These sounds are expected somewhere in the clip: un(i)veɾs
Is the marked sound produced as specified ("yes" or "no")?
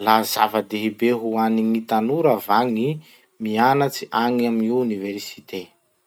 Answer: yes